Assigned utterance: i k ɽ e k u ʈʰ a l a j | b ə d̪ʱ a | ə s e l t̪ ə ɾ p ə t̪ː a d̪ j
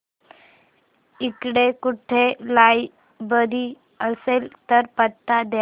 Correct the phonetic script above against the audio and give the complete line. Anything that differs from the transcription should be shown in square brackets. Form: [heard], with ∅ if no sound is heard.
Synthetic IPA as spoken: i k ɽ e k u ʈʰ [e] l a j | b ə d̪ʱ [i] | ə s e l t̪ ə ɾ p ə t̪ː a d̪ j

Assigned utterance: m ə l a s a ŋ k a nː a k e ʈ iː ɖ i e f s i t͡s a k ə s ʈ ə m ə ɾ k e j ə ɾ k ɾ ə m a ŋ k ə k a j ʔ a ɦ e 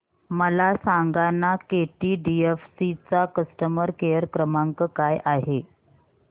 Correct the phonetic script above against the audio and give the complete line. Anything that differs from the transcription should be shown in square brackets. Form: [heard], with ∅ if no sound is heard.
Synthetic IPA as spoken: m ə l a s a ŋ [ɡ] a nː a k e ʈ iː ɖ i e f s i t͡s a k ə s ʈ ə m ə ɾ k e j ə ɾ k ɾ ə m a ŋ k ə k a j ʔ a ɦ e

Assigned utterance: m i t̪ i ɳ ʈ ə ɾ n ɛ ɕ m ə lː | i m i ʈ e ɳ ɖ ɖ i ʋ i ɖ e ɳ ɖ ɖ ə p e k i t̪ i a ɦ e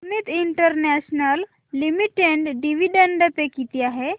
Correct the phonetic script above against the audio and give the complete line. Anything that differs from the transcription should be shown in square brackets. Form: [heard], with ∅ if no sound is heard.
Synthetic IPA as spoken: m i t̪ i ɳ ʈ ə ɾ n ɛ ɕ [n] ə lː | i m i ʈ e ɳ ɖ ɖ i ʋ i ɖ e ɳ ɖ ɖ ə p e k i t̪ i a ɦ e

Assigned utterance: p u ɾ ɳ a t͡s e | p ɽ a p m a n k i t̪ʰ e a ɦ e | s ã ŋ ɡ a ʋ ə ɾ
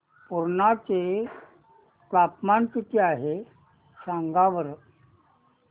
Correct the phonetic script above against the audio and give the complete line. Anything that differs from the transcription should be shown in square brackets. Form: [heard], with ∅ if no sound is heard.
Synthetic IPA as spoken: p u ɾ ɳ a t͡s e | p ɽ a p m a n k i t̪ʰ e a ɦ e | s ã ŋ ɡ a ʋ ə ɾ

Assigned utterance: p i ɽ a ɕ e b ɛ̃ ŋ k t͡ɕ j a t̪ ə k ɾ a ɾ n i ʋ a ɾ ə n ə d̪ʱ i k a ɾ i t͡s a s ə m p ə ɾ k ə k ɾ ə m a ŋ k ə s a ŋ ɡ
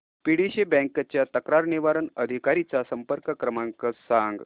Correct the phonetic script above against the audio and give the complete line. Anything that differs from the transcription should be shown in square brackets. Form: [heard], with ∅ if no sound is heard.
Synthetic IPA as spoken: p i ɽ [i] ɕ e b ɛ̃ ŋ k t͡ɕ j a t̪ ə k ɾ a ɾ n i ʋ a ɾ ə n ə d̪ʱ i k a ɾ i t͡s a s ə m p ə ɾ k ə k ɾ ə m a ŋ k ə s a ŋ ɡ

